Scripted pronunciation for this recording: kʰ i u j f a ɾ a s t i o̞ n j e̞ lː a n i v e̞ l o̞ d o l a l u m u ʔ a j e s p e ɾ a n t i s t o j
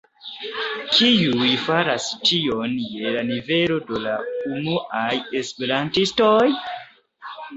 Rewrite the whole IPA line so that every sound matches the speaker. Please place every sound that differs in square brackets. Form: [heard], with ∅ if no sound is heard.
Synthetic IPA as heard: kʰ i u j f a ɾ a s t i o̞ n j e̞ [l] a n i v e̞ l o̞ d o l a [∅] u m u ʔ a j e s p e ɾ a n t i s t o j